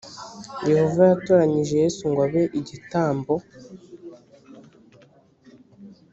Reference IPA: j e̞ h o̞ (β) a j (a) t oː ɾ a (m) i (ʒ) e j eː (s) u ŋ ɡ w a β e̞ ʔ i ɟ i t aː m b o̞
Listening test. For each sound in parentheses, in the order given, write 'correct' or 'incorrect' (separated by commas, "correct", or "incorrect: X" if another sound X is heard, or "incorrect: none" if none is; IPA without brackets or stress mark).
incorrect: v, correct, incorrect: ɲ, correct, correct